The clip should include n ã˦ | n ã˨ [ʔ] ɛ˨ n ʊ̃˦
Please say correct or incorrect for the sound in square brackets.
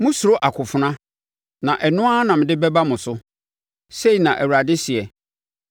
correct